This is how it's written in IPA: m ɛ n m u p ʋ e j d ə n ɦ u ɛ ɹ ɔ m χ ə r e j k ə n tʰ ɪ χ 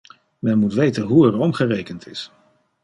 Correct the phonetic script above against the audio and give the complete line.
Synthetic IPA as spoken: m ɛ n m u t ʋ e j t ə n ɦ u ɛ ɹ ɔ m χ ə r e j k ə n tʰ ɪ s